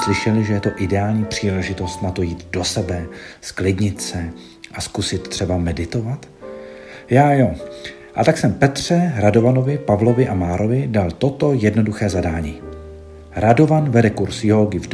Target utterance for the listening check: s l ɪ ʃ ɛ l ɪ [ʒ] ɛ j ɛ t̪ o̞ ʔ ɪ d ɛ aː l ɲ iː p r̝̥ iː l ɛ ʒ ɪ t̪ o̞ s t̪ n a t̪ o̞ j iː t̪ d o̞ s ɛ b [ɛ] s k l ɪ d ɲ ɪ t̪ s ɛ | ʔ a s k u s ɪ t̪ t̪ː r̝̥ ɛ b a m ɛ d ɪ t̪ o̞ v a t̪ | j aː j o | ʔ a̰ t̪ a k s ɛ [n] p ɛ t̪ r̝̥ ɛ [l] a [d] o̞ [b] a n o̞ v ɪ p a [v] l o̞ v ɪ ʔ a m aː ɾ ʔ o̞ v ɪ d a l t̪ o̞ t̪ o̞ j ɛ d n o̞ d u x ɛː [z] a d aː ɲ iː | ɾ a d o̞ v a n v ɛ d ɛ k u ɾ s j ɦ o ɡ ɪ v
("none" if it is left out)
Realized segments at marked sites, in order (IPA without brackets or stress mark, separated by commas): ʒ, ɛ, m, ɾ, d, v, v, z